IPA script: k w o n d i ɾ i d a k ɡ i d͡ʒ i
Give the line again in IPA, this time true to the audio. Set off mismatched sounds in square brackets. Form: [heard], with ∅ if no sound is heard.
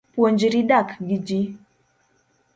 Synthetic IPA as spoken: [p] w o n [d͡ʒ] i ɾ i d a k ɡ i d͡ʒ i